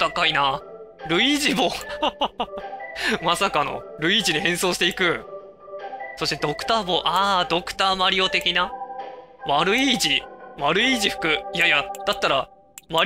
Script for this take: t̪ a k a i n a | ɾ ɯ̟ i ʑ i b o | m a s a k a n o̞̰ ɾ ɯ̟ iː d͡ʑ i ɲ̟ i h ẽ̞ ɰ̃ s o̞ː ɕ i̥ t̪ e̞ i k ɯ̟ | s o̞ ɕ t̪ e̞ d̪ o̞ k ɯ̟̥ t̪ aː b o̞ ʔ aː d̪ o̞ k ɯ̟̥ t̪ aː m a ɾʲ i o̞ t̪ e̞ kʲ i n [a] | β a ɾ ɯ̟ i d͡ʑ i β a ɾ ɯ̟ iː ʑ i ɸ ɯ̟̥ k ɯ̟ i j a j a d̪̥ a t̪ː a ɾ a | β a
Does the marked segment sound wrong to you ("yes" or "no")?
no